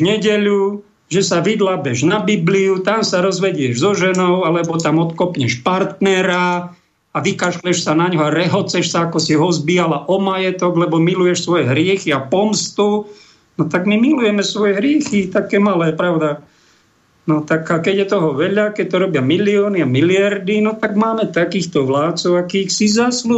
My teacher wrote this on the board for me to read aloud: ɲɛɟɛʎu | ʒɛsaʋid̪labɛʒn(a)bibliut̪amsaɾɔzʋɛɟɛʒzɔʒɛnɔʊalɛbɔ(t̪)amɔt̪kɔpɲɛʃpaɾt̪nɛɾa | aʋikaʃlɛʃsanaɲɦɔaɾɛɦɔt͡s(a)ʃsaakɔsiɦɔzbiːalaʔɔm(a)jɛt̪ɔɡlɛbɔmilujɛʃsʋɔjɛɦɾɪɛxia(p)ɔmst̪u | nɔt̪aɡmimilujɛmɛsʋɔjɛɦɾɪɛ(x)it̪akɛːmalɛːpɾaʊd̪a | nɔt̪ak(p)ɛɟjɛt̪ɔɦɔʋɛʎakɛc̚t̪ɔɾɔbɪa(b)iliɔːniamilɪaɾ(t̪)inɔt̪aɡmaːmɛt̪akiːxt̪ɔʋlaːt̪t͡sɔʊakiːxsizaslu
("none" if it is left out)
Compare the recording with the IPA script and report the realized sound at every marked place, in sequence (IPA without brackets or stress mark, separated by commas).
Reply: a, t̪, ɛ, a, p, x, k, m, d̪